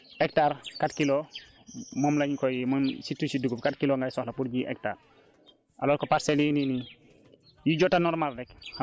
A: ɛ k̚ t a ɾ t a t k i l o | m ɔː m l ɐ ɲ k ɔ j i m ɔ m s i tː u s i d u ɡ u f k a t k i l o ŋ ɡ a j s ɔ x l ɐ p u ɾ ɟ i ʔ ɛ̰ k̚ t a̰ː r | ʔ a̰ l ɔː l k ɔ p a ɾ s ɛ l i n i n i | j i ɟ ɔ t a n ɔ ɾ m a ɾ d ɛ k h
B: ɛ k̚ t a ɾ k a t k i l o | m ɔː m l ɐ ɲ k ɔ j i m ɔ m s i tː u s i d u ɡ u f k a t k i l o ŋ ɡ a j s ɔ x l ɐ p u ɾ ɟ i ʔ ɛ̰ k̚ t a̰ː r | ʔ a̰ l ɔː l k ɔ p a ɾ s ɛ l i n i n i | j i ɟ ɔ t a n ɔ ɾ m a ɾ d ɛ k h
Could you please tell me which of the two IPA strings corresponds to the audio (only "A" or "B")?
B